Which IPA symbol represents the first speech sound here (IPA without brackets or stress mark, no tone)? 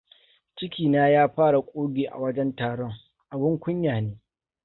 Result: t͡ʃ